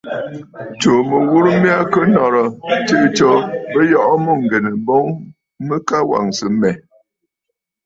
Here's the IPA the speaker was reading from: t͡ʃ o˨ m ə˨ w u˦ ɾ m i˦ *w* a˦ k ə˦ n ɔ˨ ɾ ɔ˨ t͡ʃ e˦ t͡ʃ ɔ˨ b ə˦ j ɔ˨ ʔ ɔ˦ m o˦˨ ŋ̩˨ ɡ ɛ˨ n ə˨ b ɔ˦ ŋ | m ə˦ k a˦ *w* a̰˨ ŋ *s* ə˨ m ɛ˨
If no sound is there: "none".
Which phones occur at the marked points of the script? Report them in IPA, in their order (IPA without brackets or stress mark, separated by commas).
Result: none, w, s